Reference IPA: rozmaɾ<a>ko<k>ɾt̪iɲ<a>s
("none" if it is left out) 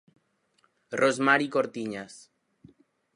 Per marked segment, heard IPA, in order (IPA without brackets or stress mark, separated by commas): i, none, a